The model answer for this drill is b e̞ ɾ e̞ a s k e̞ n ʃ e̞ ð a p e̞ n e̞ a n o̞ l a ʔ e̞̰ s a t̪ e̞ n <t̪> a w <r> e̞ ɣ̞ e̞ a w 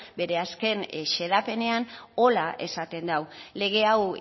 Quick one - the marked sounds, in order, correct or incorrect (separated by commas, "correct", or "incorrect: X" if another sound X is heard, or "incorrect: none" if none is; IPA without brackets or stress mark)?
incorrect: d̪, incorrect: l